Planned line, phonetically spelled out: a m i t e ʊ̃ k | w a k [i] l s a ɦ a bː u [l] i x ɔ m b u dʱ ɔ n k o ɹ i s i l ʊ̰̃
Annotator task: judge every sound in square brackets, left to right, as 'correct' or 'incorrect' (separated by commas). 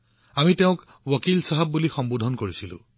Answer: correct, correct